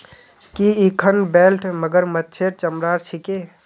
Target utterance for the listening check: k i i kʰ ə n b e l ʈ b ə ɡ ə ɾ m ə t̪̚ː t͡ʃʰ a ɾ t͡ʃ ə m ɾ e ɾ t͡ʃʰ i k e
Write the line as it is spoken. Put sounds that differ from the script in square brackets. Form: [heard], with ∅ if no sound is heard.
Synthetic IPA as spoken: k i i kʰ ə n b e l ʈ [m] ə ɡ ə ɾ m ə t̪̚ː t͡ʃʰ [e] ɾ t͡ʃ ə m ɾ [a] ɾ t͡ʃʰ i k e

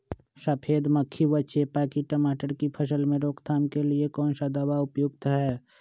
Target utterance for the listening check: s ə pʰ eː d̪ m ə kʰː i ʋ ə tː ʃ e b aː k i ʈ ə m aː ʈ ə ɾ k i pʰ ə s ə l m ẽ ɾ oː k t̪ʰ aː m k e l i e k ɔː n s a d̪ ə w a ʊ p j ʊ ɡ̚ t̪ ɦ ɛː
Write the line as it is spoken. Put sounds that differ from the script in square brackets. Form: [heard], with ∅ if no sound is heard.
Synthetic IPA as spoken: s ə pʰ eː d̪ m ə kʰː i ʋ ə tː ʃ e [p] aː k i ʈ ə m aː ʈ ə ɾ k i pʰ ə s ə l m ẽ ɾ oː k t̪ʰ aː m k e l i e k ɔː n s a d̪ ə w a ʊ p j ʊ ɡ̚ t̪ ɦ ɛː

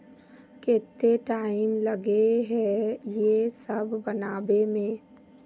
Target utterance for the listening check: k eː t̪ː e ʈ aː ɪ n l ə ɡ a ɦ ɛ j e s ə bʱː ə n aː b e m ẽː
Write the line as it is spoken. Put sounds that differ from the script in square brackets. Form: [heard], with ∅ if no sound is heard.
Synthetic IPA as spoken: k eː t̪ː e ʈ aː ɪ [m] l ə ɡ [e] ɦ ɛ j e s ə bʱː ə n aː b e m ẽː

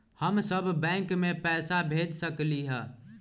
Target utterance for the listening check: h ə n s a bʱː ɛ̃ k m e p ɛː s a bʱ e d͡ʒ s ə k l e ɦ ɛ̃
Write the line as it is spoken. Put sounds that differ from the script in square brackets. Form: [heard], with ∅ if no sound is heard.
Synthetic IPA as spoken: h ə [m] s [ə] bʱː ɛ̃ k m e p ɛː s a bʱ e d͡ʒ s ə k l [i] ɦ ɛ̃

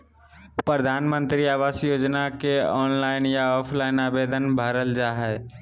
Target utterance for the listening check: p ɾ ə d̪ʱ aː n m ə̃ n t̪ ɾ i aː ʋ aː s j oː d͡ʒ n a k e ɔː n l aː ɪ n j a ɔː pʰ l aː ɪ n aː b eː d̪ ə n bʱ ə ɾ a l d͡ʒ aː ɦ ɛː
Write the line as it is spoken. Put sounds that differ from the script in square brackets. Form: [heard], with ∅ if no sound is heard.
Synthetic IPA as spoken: p ɾ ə d̪ʱ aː n m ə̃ n t̪ ɾ i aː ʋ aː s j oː d͡ʒ n a k e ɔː n l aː ɪ n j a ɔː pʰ l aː ɪ n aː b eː d̪ ə n bʱ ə ɾ [ə] l d͡ʒ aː ɦ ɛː

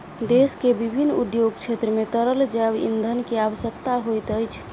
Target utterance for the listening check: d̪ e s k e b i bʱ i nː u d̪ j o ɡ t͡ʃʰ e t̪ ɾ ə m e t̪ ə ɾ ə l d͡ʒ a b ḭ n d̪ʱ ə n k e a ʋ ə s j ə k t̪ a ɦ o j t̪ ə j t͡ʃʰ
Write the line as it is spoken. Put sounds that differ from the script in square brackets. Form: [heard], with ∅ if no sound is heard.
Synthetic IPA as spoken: d̪ e s k e b i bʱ i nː u d̪ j o ɡ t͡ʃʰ e t̪ ɾ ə m e t̪ ə ɾ ə l d͡ʒ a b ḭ n d̪ʱ ə n k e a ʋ ə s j ə k t̪ a ɦ o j t̪ ə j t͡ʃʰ

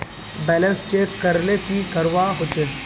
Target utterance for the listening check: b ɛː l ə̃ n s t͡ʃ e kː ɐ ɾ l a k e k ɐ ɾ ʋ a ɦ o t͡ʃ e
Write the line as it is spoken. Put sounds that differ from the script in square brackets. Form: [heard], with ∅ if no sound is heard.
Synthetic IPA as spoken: b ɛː l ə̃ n s t͡ʃ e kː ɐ ɾ l [e] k [i] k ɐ ɾ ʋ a ɦ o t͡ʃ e

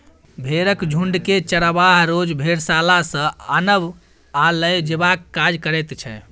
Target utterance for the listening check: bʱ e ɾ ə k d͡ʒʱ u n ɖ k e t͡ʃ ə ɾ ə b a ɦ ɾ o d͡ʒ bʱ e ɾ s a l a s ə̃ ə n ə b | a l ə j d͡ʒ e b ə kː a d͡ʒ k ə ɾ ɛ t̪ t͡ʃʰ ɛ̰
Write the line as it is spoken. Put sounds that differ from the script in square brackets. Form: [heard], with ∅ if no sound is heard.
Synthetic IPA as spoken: bʱ e ɾ ə k d͡ʒʱ u [ɳ] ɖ k e t͡ʃ ə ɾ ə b a ɦ ɾ o d͡ʒ bʱ e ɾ s a l a s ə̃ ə n ə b | a l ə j d͡ʒ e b [a] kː a d͡ʒ k ə ɾ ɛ t̪ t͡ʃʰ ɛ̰

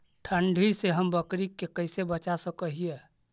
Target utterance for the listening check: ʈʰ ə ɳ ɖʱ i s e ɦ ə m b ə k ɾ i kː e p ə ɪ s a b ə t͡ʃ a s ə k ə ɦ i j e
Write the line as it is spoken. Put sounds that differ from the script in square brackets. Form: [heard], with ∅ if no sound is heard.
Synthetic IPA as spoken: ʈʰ ə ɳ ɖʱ i s e ɦ ə m b ə k ɾ i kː e [k] ə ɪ s [e] b ə t͡ʃ a s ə k ə ɦ i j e

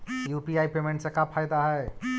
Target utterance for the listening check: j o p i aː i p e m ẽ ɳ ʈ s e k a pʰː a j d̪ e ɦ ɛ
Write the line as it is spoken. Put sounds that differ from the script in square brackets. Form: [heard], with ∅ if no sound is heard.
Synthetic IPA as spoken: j [u] p i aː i p e m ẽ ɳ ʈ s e k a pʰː a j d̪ [a] ɦ ɛ

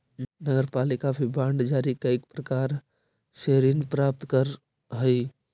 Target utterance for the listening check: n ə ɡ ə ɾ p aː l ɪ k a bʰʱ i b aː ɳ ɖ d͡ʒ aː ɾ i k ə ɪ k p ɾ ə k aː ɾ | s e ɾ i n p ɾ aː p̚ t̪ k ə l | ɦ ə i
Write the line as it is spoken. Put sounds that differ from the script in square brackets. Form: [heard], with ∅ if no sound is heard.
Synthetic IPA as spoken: n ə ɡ ə ɾ p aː l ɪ k a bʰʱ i b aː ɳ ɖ d͡ʒ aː ɾ i k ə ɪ k p ɾ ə k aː ɾ | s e ɾ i n p ɾ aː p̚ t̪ k ə [ɾ] | ɦ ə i

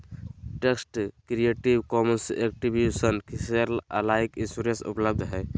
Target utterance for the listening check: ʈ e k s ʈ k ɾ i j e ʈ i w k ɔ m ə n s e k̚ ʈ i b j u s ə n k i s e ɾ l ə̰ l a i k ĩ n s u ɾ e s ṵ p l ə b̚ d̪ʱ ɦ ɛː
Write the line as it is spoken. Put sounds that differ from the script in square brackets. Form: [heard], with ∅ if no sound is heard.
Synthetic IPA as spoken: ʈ e k s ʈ k ɾ i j e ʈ i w k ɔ m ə n s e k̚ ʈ i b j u s ə n k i s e ɾ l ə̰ l a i k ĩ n s u ɾ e s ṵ p l ə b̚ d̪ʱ ɦ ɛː

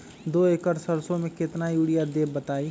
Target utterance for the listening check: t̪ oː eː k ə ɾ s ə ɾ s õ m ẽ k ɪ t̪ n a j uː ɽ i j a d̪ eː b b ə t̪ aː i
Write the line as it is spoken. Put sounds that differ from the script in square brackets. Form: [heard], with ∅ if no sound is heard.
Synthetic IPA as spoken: [d̪] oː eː k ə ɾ s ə ɾ s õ m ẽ k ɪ t̪ n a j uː ɽ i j a d̪ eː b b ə t̪ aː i

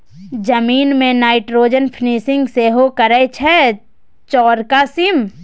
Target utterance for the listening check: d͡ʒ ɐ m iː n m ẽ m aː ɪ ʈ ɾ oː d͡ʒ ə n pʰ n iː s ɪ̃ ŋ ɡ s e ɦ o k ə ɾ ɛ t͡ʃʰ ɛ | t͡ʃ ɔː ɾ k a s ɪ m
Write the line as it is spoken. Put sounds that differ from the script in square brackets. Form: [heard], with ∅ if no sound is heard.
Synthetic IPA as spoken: d͡ʒ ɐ m iː n m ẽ [n] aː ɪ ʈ ɾ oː d͡ʒ ə n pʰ n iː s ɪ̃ ŋ ɡ s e ɦ o k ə ɾ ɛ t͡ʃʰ ɛ | t͡ʃ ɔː ɾ k a s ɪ m

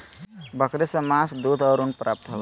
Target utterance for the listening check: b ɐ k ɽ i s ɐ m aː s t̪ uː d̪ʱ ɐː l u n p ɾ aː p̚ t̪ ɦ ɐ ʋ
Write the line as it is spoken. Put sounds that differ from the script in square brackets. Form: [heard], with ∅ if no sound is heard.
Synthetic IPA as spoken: b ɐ k [ɾ] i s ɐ m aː s [d̪] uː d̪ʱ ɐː [ɾ] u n p ɾ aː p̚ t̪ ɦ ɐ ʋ

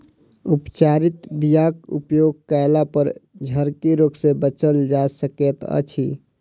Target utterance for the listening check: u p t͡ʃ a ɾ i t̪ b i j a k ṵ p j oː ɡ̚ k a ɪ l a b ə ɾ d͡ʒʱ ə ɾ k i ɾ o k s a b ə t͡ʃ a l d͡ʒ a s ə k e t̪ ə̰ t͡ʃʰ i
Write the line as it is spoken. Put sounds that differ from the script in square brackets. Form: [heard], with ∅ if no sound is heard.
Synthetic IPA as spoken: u p t͡ʃ a ɾ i t̪ b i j a k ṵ p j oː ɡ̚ k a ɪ l a [p] ə ɾ d͡ʒʱ ə ɾ k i ɾ o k s [e] b ə t͡ʃ [ə] l d͡ʒ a s ə k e t̪ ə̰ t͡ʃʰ i

